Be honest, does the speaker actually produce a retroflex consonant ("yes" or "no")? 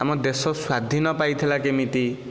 no